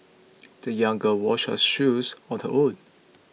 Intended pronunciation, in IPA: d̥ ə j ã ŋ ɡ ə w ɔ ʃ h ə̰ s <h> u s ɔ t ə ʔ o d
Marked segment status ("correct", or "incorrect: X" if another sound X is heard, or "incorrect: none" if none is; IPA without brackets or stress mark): incorrect: ʃ